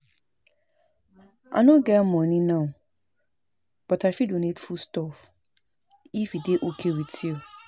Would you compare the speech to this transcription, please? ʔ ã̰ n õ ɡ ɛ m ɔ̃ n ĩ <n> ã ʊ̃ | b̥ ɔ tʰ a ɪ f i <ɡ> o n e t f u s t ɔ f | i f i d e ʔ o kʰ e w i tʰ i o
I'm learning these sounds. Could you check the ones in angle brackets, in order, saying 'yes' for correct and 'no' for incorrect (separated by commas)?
yes, no